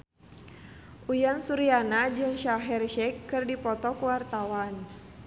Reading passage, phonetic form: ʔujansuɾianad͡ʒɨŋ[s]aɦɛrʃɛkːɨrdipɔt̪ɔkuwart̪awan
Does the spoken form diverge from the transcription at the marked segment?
yes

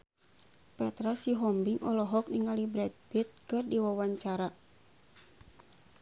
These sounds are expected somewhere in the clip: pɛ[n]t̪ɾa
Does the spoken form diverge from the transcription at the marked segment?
yes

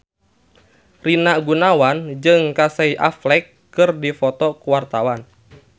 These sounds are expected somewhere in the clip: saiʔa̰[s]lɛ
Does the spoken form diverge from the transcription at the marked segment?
yes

